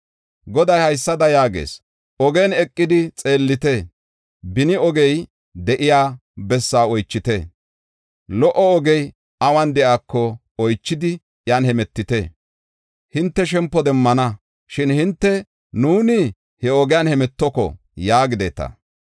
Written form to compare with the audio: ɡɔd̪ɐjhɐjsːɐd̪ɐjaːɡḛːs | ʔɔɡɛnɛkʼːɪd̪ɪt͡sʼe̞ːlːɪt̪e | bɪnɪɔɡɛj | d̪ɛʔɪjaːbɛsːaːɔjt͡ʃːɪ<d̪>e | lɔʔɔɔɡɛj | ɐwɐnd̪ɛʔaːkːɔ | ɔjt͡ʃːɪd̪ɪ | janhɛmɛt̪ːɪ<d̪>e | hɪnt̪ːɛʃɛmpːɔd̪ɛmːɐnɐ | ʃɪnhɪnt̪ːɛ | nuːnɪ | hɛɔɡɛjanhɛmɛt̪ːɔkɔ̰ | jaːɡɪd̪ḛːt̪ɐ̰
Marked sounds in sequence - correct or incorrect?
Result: incorrect: t̪, incorrect: t̪

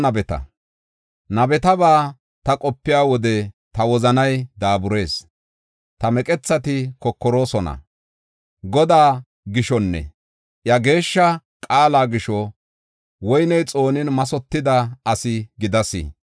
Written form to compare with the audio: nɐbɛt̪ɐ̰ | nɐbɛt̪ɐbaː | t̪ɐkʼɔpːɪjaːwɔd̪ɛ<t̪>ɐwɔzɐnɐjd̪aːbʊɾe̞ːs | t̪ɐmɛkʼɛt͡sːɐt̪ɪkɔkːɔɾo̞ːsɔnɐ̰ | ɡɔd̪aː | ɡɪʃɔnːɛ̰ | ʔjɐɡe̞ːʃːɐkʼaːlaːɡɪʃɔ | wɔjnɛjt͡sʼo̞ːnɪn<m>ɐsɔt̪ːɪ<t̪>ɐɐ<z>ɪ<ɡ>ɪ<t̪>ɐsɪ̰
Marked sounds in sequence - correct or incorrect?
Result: correct, correct, incorrect: d̪, incorrect: s, correct, incorrect: d̪

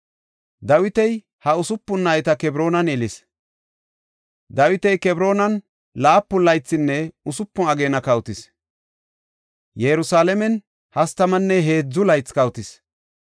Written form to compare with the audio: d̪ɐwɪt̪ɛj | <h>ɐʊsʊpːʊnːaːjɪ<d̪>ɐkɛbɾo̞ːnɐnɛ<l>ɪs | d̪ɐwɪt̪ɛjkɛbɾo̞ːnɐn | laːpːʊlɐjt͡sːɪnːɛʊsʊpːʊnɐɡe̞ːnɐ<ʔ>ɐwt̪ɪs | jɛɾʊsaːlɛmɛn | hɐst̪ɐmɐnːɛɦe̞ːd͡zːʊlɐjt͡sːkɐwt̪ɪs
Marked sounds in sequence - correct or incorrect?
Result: correct, incorrect: t̪, correct, incorrect: k

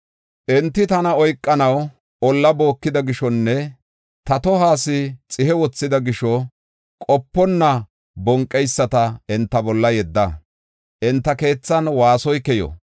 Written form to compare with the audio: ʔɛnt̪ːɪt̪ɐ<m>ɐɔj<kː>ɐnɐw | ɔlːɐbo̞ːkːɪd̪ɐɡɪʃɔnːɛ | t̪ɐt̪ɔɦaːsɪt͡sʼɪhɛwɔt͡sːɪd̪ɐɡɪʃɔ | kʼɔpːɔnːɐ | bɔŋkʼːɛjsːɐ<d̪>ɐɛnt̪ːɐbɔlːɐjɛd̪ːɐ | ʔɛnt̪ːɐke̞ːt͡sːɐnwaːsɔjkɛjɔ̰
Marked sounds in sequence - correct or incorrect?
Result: incorrect: n, incorrect: kʼː, incorrect: t̪

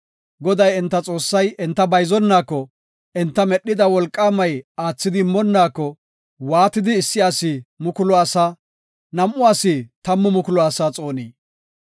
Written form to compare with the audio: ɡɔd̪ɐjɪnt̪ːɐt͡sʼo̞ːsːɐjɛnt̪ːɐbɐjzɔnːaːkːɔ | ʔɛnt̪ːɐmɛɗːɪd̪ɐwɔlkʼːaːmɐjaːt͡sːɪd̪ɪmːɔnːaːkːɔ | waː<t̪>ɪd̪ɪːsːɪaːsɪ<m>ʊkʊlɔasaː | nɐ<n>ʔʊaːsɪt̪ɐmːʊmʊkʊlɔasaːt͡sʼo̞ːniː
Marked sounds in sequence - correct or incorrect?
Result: correct, correct, incorrect: m

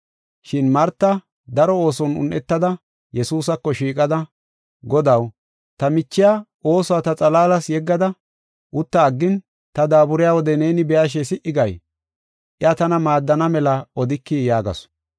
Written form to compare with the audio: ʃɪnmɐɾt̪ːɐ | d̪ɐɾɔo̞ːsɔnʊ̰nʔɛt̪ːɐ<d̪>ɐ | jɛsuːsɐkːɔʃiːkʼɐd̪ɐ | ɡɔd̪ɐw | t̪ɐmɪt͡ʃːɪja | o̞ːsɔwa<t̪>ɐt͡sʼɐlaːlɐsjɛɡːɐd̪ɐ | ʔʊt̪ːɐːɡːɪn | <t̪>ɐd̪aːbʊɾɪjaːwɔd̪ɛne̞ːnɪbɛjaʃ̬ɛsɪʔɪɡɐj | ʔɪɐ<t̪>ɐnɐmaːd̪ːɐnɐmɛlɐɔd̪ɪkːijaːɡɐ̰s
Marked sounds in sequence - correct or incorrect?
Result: correct, correct, correct, correct

